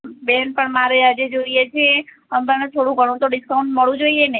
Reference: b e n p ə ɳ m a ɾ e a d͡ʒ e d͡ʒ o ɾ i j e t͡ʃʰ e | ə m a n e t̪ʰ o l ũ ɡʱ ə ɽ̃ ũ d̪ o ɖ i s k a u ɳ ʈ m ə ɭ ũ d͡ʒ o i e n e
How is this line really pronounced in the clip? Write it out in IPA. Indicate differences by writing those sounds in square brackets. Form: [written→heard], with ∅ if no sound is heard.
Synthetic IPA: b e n p ə ɳ m a ɾ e a d͡ʒ e d͡ʒ o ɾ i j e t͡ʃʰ e | ə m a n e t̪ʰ o [l→ɽ] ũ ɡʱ ə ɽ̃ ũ [d̪→t̪] o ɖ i s k a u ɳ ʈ m ə ɭ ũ d͡ʒ o i e n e

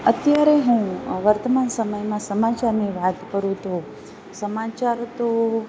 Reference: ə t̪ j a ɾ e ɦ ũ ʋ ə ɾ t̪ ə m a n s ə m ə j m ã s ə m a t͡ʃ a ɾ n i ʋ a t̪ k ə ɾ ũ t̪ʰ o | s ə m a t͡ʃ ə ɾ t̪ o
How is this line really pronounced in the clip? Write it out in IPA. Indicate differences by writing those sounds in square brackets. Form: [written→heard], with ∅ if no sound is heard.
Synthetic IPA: ə t̪ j a ɾ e ɦ ũ ʋ ə ɾ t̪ ə m a n s ə m ə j m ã s ə m a t͡ʃ a ɾ n i ʋ a t̪ k ə ɾ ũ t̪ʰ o | s ə m a t͡ʃ [ə→a] ɾ t̪ o

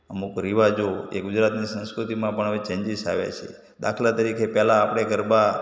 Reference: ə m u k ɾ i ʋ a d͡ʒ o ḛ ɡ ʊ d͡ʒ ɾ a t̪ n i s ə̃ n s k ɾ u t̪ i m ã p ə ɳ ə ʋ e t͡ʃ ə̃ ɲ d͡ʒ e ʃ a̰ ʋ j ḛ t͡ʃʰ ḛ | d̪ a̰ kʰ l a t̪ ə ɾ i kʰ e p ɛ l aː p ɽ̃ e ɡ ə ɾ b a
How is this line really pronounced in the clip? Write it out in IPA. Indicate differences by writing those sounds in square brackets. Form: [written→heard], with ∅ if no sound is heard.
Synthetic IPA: ə m u k ɾ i ʋ a d͡ʒ o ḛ ɡ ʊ d͡ʒ ɾ a t̪ n i s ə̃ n s k ɾ u t̪ i m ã p ə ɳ ə ʋ e t͡ʃ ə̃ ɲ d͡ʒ [e→i] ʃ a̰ ʋ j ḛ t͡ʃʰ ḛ | d̪ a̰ kʰ l a t̪ ə ɾ i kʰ e p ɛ l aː p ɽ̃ e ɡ ə ɾ b a

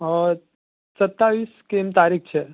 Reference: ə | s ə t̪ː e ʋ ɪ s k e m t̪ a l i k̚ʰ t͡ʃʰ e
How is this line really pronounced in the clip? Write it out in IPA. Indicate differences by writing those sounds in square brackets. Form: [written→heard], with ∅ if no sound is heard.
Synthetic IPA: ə | s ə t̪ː [e→a] ʋ [ɪ→i] s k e m t̪ a [l→ɾ] i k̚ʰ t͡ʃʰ e

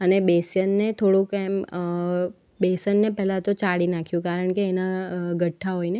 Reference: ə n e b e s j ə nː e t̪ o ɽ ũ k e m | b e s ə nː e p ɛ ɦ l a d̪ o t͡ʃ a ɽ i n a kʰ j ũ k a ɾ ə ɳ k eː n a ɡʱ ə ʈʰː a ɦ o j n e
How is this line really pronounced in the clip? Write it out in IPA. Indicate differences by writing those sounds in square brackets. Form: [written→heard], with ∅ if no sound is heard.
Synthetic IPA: ə n e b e s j ə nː e [t̪→t̪ʰ] o ɽ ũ k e m | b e s ə nː e p ɛ ɦ l a [d̪→t̪] o t͡ʃ a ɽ i n a kʰ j ũ k a ɾ ə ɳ k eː n a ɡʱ ə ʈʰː a ɦ o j n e

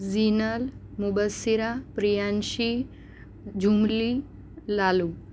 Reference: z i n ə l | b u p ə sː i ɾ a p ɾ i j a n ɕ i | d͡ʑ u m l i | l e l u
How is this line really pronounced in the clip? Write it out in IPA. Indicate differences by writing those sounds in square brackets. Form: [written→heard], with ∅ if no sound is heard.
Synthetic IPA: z i n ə l | [b→m] u [p→b] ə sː i ɾ a p ɾ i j a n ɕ i | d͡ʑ u m l i | l [e→a] l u

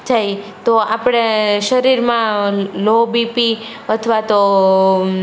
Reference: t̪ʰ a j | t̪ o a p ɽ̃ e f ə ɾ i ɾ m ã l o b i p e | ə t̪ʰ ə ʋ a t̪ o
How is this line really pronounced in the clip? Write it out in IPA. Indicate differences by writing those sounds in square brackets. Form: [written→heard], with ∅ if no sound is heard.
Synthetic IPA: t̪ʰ a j | t̪ o a p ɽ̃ e [f→ʃ] ə ɾ i ɾ m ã l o b i p [e→i] | ə t̪ʰ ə ʋ a t̪ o

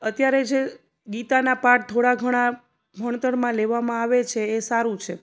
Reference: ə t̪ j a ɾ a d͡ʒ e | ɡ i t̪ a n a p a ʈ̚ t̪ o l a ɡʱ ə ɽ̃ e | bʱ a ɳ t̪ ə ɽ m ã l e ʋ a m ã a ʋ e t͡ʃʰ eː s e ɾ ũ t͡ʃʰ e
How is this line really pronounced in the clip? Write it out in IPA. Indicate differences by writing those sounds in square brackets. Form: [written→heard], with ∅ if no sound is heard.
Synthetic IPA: ə t̪ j a ɾ [a→e] d͡ʒ e | ɡ i t̪ a n a p a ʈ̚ [t̪→t̪ʰ] o [l→ɽ] a ɡʱ ə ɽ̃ [e→a] | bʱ [a→ə] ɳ t̪ ə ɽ m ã l e ʋ a m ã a ʋ e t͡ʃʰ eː s [e→a] ɾ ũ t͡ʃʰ e

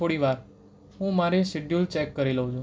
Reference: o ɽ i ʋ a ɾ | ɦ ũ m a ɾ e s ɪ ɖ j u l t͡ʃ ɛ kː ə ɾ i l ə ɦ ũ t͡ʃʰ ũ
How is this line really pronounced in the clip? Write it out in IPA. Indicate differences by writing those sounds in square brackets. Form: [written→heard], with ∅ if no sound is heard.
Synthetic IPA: o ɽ i ʋ a ɾ | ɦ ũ m a ɾ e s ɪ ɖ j u l t͡ʃ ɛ kː ə ɾ i l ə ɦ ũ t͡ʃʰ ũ

